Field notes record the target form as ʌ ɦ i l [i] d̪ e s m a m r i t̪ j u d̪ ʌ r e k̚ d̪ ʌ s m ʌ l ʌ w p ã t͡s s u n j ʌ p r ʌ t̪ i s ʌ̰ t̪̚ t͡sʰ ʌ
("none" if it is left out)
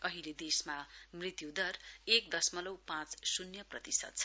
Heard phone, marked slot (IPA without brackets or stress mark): e